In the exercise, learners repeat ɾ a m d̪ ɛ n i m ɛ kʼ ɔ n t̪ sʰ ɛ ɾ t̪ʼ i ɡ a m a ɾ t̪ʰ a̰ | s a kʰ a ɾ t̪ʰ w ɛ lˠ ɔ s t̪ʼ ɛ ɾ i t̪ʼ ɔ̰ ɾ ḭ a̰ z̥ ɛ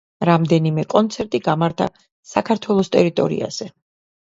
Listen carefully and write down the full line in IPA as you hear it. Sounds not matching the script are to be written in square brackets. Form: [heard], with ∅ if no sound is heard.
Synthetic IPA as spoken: ɾ a m d̪ ɛ n i m ɛ kʼ ɔ n t̪ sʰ ɛ ɾ t̪ʼ i ɡ a m a ɾ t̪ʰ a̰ | s a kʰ a ɾ t̪ʰ w ɛ lˠ ɔ s t̪ʼ ɛ ɾ i t̪ʼ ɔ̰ ɾ ḭ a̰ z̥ ɛ